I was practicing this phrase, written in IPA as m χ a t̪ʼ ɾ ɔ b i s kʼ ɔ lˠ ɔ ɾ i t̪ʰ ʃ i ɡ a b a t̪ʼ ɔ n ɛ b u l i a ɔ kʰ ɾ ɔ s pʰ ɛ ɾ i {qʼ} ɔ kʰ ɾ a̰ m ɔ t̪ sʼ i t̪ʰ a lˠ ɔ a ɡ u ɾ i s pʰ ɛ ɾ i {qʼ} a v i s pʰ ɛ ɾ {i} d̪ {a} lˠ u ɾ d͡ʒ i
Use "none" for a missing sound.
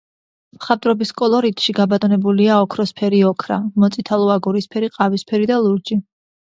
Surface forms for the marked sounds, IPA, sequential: none, qʼ, i, a

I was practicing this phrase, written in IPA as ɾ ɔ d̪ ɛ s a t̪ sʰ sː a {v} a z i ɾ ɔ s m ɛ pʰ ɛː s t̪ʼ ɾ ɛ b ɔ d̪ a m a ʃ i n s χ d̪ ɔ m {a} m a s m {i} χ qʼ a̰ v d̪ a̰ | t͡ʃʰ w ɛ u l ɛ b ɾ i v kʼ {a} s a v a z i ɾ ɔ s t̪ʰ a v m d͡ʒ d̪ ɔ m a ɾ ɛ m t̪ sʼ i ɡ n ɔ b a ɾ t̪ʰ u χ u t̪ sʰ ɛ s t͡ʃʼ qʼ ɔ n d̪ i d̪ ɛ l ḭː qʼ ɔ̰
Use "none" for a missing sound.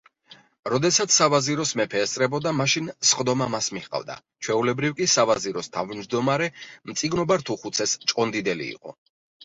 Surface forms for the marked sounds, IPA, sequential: v, a, i, i

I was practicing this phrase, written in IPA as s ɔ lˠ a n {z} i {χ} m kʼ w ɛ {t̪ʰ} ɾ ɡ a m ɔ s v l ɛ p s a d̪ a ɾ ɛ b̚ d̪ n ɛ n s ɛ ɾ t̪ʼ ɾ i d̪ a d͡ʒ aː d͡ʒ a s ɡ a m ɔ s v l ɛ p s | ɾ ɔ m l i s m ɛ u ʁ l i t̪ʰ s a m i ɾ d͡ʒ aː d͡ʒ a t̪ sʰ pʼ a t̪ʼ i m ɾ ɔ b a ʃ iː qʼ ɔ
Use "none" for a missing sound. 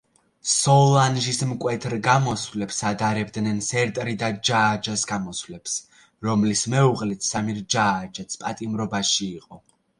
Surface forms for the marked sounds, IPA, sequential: ʒ, s, t̪ʰ

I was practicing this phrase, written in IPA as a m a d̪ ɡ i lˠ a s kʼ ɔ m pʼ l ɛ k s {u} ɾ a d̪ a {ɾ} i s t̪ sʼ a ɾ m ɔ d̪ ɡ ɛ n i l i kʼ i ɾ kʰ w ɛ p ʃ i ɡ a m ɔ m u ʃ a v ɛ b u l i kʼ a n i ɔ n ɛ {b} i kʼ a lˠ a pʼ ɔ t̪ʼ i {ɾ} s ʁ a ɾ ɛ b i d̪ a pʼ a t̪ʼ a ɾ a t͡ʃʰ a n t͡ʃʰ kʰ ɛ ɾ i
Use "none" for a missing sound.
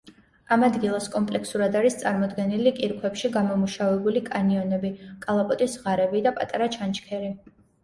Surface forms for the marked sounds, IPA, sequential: u, ɾ, b, none

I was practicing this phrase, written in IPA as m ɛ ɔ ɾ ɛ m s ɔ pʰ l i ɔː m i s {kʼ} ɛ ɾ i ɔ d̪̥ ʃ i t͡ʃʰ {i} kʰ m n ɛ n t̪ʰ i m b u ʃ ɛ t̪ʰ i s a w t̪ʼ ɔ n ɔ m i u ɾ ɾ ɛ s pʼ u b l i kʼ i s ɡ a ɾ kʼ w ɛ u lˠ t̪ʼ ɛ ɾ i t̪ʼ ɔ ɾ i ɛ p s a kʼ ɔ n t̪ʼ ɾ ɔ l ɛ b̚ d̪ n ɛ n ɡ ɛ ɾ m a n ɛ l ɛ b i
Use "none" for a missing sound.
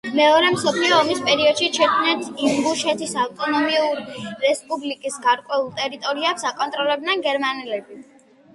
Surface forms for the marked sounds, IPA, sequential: pʼ, ɛ

